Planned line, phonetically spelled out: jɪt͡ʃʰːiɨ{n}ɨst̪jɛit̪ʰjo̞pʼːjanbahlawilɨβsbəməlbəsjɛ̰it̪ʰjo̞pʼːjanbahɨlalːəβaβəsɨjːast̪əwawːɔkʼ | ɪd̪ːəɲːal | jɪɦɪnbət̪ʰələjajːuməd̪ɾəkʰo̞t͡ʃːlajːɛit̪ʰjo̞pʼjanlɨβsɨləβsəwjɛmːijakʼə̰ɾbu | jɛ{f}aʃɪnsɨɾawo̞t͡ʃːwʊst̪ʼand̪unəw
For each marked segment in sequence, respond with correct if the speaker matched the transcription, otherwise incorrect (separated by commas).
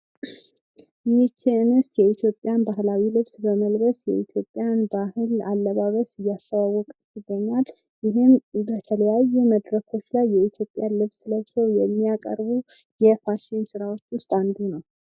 correct, correct